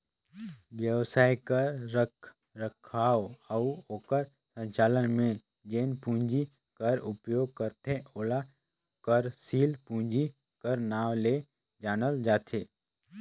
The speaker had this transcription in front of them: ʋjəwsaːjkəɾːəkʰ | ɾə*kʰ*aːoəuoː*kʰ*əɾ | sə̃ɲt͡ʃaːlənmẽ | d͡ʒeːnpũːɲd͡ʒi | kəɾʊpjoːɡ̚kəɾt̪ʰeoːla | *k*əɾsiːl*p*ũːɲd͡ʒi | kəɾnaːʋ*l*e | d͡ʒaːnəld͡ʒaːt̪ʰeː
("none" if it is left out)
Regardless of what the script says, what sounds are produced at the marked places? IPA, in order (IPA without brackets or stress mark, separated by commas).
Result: kʰ, k, k, p, l